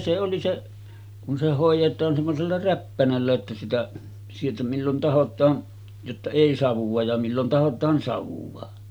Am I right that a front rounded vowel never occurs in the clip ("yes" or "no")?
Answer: yes